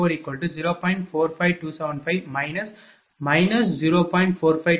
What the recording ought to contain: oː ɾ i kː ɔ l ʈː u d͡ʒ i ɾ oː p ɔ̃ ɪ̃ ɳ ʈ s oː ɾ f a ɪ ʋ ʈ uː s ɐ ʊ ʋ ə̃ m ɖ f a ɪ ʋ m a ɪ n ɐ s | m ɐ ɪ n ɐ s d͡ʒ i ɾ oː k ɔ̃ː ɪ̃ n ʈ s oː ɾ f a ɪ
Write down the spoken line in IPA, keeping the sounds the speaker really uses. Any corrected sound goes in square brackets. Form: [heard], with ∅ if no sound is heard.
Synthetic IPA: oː ɾ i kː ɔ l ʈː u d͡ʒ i ɾ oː p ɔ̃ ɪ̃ ɳ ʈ [f] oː ɾ f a ɪ ʋ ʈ uː s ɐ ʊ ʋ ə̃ [ɳ] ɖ f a ɪ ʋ m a ɪ n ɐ s | m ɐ ɪ n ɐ s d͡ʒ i ɾ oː [p] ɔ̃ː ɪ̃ [ɳ] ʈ [f] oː ɾ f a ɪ

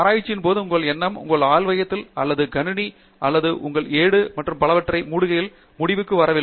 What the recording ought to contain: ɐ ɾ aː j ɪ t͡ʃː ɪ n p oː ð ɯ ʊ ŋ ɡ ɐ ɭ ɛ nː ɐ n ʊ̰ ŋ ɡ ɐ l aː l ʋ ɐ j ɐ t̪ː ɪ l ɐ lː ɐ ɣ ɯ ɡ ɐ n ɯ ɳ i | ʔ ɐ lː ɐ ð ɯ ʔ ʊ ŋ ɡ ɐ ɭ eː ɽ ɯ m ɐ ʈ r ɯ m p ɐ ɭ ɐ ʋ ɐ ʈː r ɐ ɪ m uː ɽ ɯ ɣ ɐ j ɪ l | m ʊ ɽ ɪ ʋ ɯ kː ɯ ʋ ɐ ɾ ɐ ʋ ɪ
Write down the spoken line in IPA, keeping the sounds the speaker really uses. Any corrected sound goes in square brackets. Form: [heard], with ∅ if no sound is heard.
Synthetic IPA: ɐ ɾ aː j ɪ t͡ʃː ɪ n p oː ð ɯ ʊ ŋ ɡ ɐ ɭ ɛ nː ɐ [m] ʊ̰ ŋ ɡ ɐ [ɭ] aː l ʋ ɐ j ɐ t̪ː ɪ l ɐ lː ɐ [ð] ɯ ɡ ɐ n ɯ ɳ i | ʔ ɐ lː ɐ ð ɯ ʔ ʊ ŋ ɡ ɐ ɭ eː ɽ ɯ m ɐ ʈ r ɯ m p ɐ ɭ ɐ ʋ ɐ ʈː r ɐ ɪ m uː ɽ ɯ ɣ ɐ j ɪ l | m ʊ ɽ ɪ ʋ ɯ kː ɯ ʋ ɐ ɾ ɐ ʋ ɪ

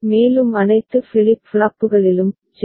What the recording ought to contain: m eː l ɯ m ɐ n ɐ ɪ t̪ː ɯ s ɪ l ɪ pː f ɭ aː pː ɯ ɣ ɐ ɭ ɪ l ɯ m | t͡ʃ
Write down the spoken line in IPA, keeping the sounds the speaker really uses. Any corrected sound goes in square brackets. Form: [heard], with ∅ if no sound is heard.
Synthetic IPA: m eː l ɯ m ɐ n ɐ ɪ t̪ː ɯ [f] ɪ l ɪ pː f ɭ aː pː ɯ ɣ ɐ ɭ ɪ l ɯ m | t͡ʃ

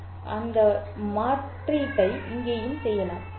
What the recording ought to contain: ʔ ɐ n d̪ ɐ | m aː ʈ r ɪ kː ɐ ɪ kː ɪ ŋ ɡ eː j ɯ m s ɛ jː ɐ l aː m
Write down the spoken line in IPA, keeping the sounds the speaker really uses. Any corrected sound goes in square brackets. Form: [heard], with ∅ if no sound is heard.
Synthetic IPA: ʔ ɐ n d̪ ɐ | m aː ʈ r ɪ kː ɐ ɪ [∅] ɪ ŋ ɡ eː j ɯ m s ɛ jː ɐ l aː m

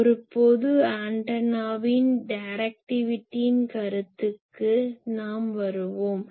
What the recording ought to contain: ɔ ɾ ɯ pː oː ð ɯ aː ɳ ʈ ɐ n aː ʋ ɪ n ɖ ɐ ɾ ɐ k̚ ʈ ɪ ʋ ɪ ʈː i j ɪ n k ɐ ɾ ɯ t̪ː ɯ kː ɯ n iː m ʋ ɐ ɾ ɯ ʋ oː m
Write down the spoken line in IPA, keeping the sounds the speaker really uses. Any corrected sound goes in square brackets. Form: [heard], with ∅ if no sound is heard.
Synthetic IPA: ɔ ɾ ɯ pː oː ð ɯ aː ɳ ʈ ɐ n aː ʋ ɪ n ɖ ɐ ɾ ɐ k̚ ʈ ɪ ʋ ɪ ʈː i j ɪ n k ɐ ɾ ɯ t̪ː ɯ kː ɯ n [aː] m ʋ ɐ ɾ ɯ ʋ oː m

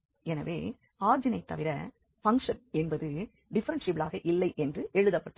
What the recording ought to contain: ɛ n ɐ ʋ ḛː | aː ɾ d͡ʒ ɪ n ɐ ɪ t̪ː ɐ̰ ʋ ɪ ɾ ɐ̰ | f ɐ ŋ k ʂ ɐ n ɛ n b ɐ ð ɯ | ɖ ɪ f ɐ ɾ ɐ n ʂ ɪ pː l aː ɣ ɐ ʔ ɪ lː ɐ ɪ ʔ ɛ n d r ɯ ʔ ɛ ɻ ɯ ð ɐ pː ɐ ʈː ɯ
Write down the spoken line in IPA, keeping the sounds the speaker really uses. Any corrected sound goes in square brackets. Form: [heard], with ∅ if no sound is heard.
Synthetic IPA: ɛ n ɐ ʋ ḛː | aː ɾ d͡ʒ ɪ n ɐ ɪ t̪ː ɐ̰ ʋ ɪ ɾ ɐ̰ | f ɐ ŋ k ʂ ɐ n ɛ n b ɐ ð ɯ | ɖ ɪ f ɐ ɾ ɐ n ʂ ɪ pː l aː ɣ ɐ ʔ ɪ lː ɐ ɪ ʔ ɛ n d r ɯ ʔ ɛ ɻ ɯ ð ɐ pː ɐ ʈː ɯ

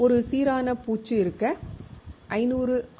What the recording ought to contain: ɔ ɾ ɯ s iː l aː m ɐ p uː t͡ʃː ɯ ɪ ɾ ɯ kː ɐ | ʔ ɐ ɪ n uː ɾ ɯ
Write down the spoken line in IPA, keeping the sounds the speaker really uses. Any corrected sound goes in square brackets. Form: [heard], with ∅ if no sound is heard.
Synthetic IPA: ɔ ɾ ɯ s iː [ɾ] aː [n] ɐ p uː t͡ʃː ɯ ɪ ɾ ɯ kː ɐ | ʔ ɐ ɪ n uː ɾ ɯ

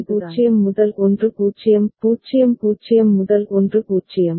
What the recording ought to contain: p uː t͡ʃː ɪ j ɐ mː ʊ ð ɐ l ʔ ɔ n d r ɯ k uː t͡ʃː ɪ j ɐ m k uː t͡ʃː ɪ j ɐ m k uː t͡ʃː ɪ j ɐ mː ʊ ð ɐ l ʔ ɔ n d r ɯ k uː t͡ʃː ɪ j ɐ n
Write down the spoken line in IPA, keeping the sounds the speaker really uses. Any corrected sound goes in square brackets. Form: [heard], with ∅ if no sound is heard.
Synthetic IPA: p uː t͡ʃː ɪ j ɐ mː ʊ ð ɐ l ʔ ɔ n d r ɯ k uː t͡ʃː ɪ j ɐ m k uː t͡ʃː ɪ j ɐ m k uː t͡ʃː ɪ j ɐ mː ʊ ð ɐ l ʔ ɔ n d r ɯ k uː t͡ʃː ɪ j ɐ [m]

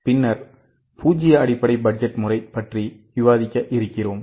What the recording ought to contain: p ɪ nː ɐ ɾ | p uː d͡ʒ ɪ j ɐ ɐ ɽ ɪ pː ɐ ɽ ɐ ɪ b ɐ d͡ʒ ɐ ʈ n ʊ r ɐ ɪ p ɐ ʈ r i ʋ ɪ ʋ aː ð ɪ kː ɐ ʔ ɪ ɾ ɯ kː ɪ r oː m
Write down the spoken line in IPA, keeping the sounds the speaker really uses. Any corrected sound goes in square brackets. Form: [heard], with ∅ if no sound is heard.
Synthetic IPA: p ɪ nː ɐ ɾ | p uː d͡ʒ ɪ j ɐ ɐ ɽ ɪ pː ɐ ɽ ɐ ɪ b ɐ d͡ʒ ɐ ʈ [m] ʊ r ɐ ɪ p ɐ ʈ r i ʋ ɪ ʋ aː ð ɪ kː ɐ ʔ ɪ ɾ ɯ kː ɪ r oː m

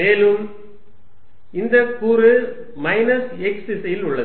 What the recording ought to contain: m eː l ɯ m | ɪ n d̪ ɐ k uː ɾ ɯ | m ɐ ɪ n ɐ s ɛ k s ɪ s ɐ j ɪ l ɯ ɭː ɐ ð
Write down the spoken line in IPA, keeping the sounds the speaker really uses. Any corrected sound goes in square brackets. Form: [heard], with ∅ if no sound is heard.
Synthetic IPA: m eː l ɯ m | ɪ n d̪ ɐ k uː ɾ ɯ | m ɐ ɪ n ɐ s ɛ k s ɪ s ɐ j ɪ l [ʊ] ɭː ɐ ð

